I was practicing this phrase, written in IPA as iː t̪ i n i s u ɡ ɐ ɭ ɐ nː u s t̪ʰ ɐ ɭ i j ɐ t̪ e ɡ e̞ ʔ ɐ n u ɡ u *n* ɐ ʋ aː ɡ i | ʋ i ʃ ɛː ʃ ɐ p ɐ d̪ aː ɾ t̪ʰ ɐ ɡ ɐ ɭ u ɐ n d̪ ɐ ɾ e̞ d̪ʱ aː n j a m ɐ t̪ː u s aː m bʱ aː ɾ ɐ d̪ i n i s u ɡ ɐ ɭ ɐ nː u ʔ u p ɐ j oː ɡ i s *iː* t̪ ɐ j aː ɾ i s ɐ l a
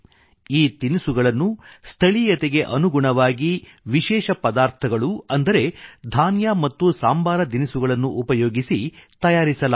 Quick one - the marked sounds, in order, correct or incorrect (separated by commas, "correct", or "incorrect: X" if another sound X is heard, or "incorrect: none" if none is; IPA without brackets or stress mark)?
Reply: incorrect: ɳ, incorrect: i